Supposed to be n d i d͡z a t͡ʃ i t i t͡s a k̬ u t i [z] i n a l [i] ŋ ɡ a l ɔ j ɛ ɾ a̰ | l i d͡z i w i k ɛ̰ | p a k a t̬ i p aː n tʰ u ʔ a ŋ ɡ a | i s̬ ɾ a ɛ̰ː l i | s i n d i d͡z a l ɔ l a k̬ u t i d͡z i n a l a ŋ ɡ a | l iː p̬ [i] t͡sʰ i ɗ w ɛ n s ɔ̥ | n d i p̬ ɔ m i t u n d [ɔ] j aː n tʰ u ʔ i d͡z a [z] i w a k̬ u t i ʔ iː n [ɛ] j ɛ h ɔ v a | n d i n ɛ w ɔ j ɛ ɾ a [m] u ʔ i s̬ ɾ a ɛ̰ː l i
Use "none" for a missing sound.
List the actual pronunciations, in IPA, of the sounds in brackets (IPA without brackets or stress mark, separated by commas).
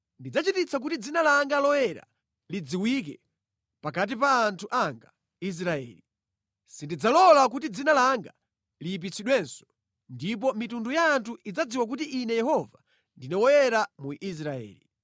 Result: d͡z, a, i, u, d͡z, ɛ, m